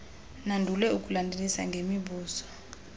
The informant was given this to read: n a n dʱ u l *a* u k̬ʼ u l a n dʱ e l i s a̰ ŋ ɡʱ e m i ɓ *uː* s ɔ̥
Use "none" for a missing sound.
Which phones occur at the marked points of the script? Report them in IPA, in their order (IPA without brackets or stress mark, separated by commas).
ɛ, uː